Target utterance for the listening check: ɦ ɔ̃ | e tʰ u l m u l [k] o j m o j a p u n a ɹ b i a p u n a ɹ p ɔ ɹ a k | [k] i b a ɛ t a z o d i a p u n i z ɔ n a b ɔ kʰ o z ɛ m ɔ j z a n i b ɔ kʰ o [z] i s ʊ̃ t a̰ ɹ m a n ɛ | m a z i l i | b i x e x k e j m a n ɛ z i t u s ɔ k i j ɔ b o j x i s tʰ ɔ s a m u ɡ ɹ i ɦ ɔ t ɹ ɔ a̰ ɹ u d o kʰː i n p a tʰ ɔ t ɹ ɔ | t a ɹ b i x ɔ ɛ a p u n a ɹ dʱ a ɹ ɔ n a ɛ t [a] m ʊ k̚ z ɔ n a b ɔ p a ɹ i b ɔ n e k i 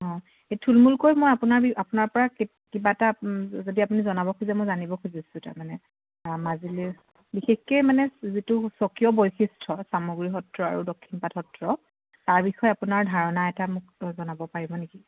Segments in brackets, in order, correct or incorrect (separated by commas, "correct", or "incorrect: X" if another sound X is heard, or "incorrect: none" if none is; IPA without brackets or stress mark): correct, correct, correct, correct